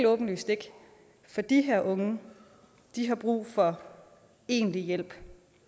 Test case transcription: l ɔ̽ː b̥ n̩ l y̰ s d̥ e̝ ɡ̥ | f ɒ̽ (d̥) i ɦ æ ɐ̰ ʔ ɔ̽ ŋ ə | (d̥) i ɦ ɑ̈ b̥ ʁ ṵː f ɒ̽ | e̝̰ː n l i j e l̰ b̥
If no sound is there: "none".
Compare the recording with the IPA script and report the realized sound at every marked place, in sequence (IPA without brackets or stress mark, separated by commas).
d̥, d̥